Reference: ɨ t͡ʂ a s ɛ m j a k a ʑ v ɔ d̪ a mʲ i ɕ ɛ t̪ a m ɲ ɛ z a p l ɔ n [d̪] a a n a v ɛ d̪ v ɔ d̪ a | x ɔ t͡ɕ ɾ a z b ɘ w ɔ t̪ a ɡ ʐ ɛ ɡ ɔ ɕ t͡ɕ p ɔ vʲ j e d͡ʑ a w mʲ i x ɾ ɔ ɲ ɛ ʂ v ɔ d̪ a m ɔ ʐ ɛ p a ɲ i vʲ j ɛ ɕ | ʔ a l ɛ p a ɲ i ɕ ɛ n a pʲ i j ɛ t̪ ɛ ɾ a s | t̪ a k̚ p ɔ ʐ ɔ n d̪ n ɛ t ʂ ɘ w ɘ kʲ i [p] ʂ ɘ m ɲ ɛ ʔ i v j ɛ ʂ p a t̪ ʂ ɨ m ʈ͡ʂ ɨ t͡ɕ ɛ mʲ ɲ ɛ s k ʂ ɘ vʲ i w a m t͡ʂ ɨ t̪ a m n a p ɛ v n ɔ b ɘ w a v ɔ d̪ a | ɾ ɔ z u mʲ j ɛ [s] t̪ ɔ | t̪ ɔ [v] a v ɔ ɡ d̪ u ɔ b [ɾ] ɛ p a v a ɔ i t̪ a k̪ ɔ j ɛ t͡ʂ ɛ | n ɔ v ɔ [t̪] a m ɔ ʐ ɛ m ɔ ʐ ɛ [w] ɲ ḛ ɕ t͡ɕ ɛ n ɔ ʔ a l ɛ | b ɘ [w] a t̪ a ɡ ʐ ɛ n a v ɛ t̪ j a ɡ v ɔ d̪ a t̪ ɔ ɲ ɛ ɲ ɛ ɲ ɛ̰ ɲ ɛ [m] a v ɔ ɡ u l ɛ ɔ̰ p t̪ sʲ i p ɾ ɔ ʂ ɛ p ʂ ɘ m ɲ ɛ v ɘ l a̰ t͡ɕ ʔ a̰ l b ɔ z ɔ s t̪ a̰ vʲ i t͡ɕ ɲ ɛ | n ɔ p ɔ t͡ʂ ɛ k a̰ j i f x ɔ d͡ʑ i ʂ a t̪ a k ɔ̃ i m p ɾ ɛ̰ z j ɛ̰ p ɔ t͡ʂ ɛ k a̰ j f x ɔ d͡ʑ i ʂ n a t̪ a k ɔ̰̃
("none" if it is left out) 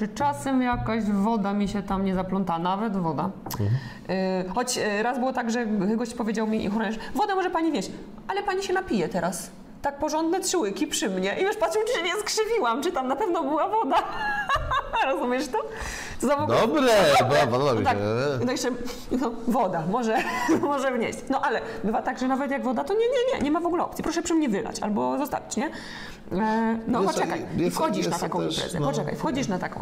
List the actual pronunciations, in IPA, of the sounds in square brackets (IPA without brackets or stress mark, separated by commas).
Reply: t̪, p, ʂ, z, ɾ, d̪, v, v, m